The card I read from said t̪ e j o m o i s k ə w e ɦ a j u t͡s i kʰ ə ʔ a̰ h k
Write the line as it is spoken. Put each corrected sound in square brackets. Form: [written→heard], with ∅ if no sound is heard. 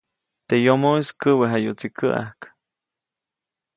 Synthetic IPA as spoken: t̪ e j o m o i s k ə w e ɦ a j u t͡s i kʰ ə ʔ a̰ h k